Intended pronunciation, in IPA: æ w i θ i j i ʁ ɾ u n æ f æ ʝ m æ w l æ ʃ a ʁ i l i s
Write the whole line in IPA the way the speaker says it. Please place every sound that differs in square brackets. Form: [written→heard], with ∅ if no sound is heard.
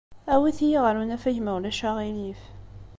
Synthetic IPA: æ w i θ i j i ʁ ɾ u n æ f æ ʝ m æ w l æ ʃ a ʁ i l i [s→f]